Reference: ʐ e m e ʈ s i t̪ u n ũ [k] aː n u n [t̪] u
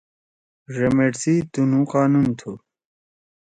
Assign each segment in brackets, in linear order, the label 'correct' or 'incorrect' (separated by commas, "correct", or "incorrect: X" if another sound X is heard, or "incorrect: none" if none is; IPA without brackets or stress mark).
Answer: incorrect: q, incorrect: t̪ʰ